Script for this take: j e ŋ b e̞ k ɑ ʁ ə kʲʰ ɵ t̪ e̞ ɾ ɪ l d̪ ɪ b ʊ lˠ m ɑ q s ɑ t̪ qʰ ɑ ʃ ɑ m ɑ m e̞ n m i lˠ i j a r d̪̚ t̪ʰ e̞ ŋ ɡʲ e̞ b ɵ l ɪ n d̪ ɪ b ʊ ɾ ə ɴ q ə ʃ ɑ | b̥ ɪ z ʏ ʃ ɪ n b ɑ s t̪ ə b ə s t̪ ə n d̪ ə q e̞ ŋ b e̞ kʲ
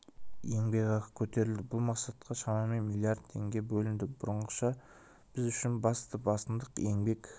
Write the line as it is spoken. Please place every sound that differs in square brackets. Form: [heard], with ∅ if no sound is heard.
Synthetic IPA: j e ŋ b e̞ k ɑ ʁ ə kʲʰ ɵ t̪ e̞ ɾ ɪ l d̪ ɪ b ʊ lˠ m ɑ q s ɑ t̪ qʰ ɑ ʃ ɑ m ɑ m e̞ n m i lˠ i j a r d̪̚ t̪ʰ e̞ ŋ ɡʲ e̞ b ɵ l ɪ n d̪ ɪ b ʊ ɾ ə ɴ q ə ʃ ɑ | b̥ ɪ z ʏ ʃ ɪ n b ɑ s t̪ ə b [ɑ] s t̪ ə n d̪ ə q e̞ ŋ b e̞ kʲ